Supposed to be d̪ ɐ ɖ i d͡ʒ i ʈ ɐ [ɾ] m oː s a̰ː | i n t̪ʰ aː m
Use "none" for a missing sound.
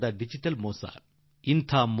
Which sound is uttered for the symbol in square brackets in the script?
l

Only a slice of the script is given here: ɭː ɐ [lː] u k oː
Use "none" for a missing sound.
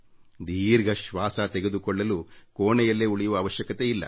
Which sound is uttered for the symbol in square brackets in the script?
l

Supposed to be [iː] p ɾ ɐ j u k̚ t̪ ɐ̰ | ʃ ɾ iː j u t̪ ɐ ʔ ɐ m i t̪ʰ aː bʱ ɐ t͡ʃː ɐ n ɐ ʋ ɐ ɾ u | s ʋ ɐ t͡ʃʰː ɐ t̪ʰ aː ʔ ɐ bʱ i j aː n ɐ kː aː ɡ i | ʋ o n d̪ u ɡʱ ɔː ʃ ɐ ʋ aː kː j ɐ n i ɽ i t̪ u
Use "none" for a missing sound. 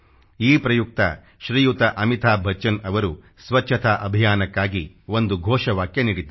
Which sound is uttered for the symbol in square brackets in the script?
iː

